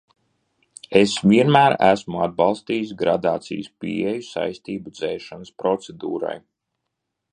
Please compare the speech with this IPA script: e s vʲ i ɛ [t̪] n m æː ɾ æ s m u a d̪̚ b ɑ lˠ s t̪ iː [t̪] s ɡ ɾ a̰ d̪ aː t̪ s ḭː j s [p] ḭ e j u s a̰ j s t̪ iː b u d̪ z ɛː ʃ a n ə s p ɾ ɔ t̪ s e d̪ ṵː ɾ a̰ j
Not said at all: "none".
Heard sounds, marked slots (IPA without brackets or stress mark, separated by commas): none, none, p